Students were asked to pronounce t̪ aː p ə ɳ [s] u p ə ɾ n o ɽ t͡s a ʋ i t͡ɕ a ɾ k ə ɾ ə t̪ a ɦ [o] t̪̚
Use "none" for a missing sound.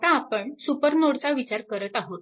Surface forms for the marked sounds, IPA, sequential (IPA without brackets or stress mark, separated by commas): s, o